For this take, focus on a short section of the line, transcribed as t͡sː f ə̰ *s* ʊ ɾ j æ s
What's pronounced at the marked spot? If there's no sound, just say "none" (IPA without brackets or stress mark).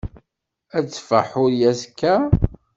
ħ